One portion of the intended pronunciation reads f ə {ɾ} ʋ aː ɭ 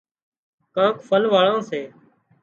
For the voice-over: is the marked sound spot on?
no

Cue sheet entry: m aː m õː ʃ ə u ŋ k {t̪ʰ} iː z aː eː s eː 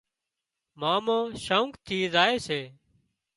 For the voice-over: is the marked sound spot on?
yes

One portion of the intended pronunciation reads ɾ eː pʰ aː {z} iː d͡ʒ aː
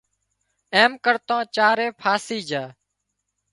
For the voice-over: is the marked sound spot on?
no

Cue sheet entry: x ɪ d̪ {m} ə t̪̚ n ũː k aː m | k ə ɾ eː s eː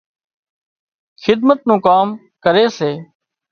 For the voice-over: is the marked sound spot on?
yes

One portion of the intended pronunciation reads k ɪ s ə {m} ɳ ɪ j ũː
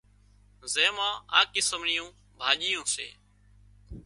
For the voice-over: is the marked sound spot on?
yes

